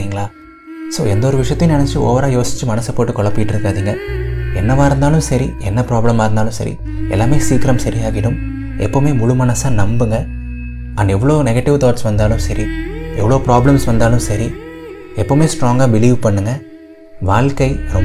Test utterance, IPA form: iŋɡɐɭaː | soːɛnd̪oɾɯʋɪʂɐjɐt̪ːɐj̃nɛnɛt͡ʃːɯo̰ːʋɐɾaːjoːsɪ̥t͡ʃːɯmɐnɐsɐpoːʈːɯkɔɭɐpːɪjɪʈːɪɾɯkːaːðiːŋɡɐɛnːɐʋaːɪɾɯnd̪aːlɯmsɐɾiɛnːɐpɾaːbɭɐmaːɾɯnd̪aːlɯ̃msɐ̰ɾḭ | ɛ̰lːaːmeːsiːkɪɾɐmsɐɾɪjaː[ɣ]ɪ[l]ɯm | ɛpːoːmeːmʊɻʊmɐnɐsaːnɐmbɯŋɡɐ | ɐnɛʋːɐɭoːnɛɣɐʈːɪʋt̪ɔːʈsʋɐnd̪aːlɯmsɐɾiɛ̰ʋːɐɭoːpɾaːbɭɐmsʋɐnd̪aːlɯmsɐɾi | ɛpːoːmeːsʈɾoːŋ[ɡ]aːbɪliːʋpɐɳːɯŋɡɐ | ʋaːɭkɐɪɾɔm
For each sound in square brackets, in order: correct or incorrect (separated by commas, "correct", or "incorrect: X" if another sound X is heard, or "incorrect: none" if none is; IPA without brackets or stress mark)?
correct, incorrect: ɽ, correct